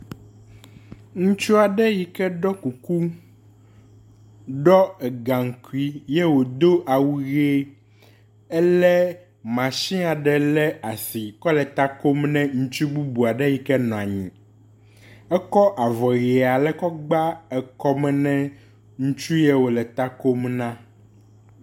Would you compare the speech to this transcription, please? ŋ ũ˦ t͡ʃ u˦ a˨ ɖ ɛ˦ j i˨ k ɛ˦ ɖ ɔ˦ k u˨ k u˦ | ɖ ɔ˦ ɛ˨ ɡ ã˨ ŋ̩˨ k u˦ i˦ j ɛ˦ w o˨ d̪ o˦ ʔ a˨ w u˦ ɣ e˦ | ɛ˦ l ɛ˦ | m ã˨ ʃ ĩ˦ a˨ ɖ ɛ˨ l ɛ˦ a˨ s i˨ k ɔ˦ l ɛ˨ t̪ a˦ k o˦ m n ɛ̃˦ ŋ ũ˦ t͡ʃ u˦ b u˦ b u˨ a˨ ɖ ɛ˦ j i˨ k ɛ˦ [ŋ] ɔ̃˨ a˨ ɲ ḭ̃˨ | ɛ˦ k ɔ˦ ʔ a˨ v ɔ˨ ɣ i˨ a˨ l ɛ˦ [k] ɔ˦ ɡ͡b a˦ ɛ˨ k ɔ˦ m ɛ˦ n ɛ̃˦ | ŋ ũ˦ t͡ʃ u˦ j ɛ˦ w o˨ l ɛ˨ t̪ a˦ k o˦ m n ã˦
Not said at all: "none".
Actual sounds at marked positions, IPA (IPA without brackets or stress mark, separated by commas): n, k